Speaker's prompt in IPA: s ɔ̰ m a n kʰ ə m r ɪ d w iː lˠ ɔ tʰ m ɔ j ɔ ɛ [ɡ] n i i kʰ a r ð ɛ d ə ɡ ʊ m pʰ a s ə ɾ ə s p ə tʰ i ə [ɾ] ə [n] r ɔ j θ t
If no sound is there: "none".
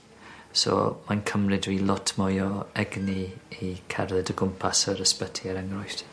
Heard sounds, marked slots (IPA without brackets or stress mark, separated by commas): ɡ, ɾ, ŋ